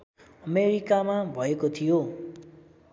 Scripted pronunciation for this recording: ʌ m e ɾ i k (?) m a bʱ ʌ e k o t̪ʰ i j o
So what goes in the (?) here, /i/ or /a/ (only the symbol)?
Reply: a